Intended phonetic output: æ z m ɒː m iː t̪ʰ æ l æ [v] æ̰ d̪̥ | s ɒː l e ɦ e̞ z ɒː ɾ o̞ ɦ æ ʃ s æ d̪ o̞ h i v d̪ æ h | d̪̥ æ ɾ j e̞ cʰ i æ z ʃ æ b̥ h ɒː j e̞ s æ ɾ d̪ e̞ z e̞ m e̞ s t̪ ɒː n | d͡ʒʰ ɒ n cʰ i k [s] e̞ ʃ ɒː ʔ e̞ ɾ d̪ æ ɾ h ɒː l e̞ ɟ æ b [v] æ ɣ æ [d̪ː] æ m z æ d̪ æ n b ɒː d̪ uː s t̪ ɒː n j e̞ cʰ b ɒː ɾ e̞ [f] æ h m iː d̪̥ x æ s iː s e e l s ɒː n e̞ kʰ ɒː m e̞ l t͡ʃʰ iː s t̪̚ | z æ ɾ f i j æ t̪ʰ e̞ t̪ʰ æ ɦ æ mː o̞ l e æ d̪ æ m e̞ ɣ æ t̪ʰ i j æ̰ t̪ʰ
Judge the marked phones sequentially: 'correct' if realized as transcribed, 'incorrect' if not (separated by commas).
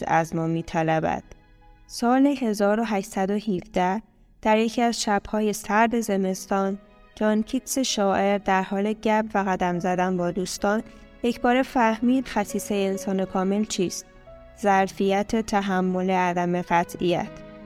incorrect, correct, correct, incorrect, correct